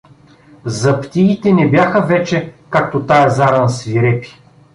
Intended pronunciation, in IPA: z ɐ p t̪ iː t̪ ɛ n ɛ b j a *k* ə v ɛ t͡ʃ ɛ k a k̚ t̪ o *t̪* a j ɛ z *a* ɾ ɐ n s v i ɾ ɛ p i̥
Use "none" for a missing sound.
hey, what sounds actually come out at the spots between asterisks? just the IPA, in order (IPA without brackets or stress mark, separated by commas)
x, t̪, a